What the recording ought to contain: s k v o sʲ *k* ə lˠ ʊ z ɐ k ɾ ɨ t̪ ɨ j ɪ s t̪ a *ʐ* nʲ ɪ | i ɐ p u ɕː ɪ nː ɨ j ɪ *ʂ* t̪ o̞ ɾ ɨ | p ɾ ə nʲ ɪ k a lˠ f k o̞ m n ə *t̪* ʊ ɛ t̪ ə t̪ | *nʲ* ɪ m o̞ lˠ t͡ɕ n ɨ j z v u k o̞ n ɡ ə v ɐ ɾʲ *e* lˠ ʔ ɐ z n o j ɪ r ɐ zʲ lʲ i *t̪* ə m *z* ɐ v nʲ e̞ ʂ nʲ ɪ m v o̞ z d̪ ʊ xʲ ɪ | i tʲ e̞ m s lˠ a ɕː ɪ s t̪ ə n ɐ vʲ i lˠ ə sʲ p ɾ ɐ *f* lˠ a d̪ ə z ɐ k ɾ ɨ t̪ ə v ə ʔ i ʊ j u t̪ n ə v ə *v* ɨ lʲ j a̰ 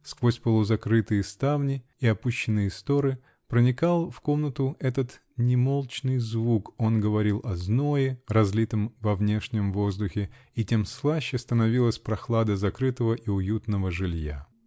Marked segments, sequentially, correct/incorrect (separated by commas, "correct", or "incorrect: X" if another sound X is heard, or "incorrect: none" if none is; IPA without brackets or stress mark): incorrect: p, incorrect: v, incorrect: s, correct, correct, incorrect: i, correct, incorrect: v, incorrect: x, incorrect: ʐ